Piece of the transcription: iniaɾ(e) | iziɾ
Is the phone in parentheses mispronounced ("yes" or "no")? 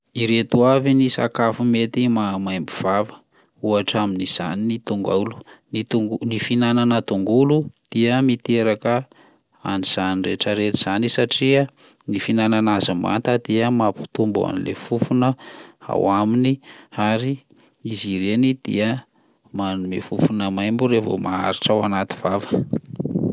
yes